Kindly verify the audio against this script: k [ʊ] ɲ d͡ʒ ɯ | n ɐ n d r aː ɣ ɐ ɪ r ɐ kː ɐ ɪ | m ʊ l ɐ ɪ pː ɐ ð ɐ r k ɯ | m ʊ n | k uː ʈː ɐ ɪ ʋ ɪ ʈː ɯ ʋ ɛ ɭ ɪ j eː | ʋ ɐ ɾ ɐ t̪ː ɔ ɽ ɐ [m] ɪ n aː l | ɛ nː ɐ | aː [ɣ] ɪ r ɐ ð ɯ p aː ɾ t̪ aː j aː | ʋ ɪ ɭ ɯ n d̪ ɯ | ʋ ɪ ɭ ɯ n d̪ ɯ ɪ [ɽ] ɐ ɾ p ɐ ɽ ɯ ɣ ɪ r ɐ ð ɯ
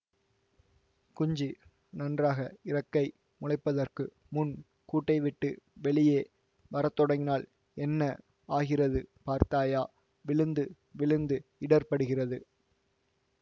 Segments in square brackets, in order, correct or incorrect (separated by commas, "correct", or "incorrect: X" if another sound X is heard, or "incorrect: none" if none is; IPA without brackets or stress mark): correct, incorrect: ŋ, correct, correct